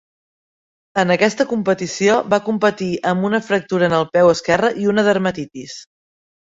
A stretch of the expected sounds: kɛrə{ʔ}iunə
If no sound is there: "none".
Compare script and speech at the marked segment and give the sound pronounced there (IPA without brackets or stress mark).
ʔ